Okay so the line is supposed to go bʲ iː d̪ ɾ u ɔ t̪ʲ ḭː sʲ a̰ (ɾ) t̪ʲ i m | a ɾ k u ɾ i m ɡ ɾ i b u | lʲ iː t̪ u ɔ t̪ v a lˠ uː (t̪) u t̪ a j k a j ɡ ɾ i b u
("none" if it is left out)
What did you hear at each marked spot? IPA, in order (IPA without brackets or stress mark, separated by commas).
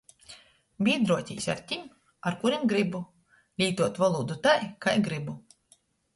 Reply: ɾ, d̪